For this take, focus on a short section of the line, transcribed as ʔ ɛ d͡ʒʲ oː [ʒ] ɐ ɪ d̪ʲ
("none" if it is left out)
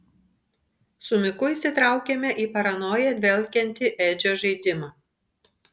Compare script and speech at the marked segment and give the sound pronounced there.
ʒ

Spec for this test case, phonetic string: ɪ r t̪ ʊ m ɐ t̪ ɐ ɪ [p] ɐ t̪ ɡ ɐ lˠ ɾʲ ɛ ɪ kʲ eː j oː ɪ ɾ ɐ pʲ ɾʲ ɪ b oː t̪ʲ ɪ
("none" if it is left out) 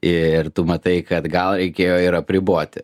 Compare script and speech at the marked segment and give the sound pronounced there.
k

